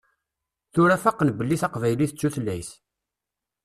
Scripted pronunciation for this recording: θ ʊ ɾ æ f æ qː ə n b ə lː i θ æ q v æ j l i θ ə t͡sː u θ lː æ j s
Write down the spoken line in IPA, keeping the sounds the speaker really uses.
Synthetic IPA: θ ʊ ɾ æ f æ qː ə n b ə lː i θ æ q v æ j l i θ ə t͡sː u θ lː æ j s